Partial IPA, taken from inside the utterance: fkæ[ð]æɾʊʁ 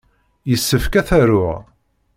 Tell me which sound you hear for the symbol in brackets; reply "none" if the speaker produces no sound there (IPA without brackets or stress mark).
θ